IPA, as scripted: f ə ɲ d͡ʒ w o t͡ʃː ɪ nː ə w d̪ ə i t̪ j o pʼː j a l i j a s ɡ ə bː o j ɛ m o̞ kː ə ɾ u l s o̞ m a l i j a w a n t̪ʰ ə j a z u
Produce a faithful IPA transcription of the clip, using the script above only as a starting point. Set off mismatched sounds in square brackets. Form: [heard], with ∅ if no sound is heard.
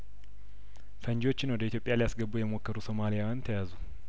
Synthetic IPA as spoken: f ə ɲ d͡ʒ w o t͡ʃː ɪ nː ə w d̪ ə i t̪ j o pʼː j a l i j a s ɡ ə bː [u] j ɛ m o̞ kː ə ɾ u [∅] s o̞ m a l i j a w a n t̪ʰ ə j a z u

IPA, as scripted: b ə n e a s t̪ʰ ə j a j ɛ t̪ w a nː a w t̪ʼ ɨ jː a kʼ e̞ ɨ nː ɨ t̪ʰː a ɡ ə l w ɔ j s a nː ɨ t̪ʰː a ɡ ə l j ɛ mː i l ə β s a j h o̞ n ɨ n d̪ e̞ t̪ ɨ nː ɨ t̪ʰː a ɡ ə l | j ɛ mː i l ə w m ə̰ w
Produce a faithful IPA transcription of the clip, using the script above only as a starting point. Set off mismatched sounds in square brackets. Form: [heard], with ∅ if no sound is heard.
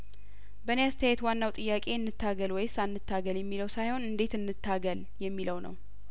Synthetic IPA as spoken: b ə n e a s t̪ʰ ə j a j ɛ t̪ w a nː a w t̪ʼ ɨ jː a kʼ e̞ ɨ nː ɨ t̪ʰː a ɡ ə l w ɔ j s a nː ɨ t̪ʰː a ɡ ə l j ɛ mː i l ə [w] s a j h o̞ n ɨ n d̪ e̞ t̪ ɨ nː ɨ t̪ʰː a ɡ ə l | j ɛ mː i l ə w [n] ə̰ w

